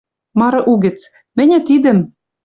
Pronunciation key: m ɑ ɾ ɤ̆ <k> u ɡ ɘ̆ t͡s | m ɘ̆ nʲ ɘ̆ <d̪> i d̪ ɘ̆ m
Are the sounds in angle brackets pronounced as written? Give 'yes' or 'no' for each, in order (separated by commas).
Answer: no, no